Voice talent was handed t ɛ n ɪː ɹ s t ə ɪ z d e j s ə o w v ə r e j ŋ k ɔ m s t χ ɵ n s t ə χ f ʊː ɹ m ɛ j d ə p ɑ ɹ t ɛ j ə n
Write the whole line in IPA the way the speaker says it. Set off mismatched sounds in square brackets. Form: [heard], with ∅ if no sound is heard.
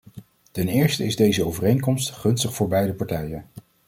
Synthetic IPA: t ɛ n ɪː ɹ s t ə ɪ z d e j [z] ə o w v ə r e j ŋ k ɔ m s t χ ɵ n s t ə χ f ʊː ɹ [b] ɛ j d ə p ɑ ɹ t ɛ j ə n